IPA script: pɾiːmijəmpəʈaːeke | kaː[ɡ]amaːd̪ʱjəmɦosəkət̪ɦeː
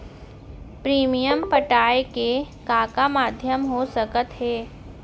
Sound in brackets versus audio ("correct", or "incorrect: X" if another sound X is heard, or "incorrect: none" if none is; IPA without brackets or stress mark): incorrect: k